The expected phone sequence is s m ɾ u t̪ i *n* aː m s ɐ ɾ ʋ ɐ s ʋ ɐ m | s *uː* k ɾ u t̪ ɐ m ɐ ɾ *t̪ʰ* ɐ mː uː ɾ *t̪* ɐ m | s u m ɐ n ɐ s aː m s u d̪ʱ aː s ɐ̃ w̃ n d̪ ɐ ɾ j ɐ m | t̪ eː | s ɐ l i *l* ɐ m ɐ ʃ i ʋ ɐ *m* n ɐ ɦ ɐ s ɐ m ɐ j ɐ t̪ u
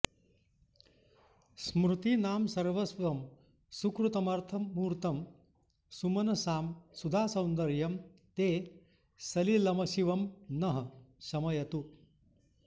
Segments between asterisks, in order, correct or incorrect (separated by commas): correct, incorrect, correct, correct, correct, correct